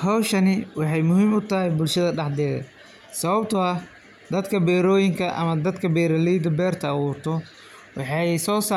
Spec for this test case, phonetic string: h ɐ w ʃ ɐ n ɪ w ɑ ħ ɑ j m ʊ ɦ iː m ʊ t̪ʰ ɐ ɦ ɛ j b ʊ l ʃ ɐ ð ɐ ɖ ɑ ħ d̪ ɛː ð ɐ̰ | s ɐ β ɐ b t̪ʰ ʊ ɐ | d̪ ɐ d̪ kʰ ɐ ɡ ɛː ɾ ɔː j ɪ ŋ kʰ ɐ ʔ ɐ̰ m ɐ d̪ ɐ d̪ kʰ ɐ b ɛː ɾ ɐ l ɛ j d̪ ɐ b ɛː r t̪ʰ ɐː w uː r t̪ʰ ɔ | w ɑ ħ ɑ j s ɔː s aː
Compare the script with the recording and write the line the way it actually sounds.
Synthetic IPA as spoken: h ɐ w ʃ ɐ n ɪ w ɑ ħ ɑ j m ʊ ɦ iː m ʊ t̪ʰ ɐ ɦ ɛ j b ʊ l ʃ ɐ ð ɐ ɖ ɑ ħ d̪ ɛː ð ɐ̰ | s ɐ β ɐ b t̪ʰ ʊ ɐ | d̪ ɐ d̪ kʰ ɐ b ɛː ɾ ɔː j ɪ ŋ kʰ ɐ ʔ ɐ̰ m ɐ d̪ ɐ d̪ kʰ ɐ b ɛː ɾ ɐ l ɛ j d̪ ɐ b ɛː r t̪ʰ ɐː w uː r t̪ʰ ɔ | w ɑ ħ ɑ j s ɔː s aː